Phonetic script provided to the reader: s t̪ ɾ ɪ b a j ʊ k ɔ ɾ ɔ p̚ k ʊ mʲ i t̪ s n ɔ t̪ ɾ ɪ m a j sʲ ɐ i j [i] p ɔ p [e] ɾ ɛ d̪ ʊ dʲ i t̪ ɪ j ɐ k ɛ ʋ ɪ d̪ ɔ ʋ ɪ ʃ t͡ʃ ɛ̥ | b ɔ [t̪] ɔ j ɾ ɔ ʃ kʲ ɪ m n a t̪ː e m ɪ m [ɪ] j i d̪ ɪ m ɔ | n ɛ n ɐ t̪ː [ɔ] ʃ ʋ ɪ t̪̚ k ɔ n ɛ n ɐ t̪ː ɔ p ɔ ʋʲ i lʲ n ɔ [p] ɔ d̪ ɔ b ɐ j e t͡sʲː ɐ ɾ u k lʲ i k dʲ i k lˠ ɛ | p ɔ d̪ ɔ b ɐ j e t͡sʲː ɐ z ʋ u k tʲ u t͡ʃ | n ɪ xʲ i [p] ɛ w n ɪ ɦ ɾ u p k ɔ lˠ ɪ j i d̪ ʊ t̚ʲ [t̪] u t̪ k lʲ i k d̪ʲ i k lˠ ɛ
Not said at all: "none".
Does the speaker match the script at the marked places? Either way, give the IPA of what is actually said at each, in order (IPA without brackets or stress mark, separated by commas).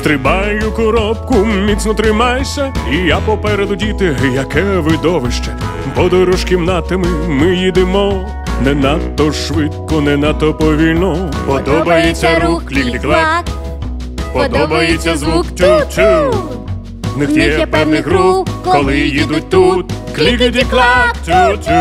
a, ɛ, d̪, ɪ, ɔ, p, p, t̪